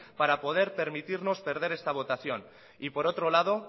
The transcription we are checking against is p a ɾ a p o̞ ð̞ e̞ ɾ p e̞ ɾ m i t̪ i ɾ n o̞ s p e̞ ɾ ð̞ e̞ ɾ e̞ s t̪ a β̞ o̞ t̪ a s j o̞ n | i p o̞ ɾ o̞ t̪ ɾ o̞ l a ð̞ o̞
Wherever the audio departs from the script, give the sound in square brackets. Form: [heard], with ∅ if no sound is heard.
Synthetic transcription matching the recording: p a ɾ a p o̞ ð̞ e̞ ɾ p e̞ ɾ m i t̪ i ɾ n o̞ s p e̞ ɾ ð̞ e̞ ɾ e̞ s t̪ a β̞ o̞ t̪ a [θ] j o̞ n | i p o̞ ɾ o̞ t̪ ɾ o̞ l a ð̞ o̞